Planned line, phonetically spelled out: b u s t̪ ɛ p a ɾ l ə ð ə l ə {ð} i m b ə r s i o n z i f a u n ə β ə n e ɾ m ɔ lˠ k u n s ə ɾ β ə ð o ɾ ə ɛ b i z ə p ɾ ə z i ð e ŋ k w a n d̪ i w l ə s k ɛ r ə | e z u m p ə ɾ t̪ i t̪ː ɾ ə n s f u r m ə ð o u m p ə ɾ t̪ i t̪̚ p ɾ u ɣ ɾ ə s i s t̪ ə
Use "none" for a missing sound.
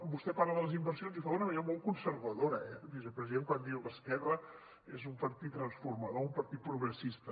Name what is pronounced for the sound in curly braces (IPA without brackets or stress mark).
z